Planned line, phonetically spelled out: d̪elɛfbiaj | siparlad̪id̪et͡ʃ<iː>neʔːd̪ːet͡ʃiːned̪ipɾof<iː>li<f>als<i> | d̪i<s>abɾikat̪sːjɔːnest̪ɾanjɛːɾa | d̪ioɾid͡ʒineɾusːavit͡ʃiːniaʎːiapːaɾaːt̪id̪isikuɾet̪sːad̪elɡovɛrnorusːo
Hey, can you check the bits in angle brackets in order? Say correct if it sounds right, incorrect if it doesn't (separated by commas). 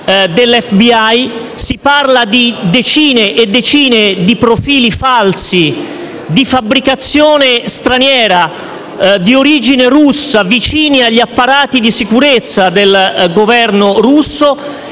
correct, correct, correct, correct, incorrect